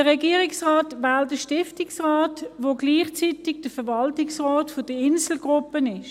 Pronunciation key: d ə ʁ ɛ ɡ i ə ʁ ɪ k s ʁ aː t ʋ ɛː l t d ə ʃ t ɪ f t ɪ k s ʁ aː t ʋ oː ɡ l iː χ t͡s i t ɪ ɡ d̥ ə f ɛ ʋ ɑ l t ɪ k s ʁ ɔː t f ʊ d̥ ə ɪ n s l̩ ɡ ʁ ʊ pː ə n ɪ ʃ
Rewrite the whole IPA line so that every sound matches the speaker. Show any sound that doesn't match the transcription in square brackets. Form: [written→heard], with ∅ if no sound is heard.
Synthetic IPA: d ə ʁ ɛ ɡ i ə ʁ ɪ k s ʁ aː t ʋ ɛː l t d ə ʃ t ɪ f t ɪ k s ʁ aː t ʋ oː ɡ l iː χ t͡s i t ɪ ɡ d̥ ə f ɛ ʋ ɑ l t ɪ k s ʁ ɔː t f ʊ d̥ ə ɪ n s l̩ ɡ ʁ ʊ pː ə n ɪ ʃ